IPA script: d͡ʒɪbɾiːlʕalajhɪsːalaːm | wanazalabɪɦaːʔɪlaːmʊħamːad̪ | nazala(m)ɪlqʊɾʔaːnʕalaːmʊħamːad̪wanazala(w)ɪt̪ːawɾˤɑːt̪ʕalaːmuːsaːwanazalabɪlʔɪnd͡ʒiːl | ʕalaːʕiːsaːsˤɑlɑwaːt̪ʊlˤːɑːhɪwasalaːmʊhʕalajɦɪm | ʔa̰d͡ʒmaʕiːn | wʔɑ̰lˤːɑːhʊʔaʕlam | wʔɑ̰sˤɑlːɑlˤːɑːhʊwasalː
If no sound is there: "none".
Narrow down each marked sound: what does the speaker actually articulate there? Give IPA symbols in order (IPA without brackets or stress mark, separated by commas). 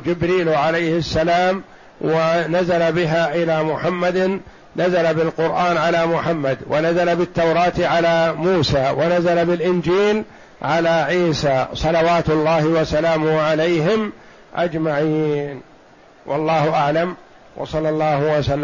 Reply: b, b